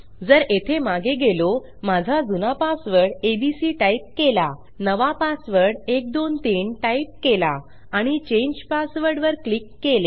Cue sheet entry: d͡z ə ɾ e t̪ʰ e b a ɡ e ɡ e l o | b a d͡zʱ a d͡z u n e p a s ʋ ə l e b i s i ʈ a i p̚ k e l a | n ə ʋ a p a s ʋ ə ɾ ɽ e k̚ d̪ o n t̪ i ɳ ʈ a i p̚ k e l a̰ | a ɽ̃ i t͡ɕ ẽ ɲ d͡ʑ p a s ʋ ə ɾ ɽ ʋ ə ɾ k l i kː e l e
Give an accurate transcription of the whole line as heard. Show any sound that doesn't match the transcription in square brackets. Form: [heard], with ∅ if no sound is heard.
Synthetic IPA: d͡z ə ɾ e t̪ʰ e [m] a ɡ e ɡ e l o | [m] a d͡zʱ a d͡z u n [a] p a s ʋ ə [ɽ] e b i s i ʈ a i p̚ k e l a | n ə ʋ a p a s ʋ ə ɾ ɽ e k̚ d̪ o n t̪ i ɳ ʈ a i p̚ k e l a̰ | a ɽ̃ i t͡ɕ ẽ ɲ d͡ʑ p a s ʋ ə ɾ ɽ ʋ ə ɾ k l i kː e l e